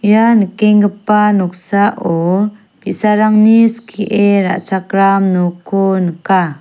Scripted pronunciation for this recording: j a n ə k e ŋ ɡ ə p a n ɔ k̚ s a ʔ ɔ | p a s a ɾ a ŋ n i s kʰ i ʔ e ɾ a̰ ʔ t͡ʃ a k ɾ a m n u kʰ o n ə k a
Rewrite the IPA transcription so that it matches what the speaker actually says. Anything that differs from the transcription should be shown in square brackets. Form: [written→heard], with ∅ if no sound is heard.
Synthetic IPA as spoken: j a n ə k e ŋ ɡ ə p a n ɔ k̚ s a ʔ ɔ | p [a→i] s a ɾ a ŋ n i s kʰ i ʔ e ɾ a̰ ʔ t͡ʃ a k ɾ a m n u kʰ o n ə k a